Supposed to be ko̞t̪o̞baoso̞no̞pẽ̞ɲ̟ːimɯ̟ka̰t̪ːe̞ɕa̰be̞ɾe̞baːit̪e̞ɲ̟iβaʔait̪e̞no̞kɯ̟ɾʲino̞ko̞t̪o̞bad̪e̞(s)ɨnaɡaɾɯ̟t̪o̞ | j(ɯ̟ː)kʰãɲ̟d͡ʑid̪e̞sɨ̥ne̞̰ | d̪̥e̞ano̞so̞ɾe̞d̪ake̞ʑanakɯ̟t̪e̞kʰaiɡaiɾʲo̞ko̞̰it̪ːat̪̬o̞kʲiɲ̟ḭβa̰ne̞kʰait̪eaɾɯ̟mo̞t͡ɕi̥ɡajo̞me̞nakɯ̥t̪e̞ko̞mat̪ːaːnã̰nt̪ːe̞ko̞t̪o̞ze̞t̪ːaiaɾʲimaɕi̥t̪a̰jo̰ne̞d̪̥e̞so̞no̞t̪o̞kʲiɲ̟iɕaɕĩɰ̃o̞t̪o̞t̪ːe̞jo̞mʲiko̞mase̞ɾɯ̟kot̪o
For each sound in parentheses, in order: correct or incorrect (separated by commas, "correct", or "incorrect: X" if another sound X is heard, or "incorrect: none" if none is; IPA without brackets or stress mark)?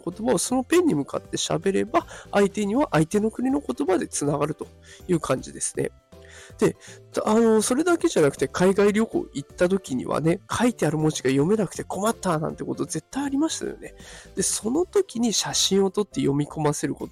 incorrect: t͡s, correct